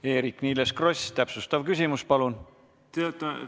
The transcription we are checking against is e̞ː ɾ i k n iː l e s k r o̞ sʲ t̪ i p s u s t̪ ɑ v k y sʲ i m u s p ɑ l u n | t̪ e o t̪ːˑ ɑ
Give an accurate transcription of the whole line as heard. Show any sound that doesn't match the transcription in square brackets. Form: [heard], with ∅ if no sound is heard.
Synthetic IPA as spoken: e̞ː ɾ i k n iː l e s k r o̞ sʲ t̪ [æ] p s u s t̪ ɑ v k y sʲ i m u s p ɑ l u n | t̪ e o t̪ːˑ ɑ